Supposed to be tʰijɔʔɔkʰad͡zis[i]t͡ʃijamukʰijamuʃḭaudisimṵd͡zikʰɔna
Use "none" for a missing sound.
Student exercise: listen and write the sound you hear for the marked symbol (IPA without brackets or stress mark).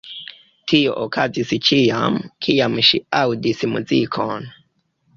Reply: i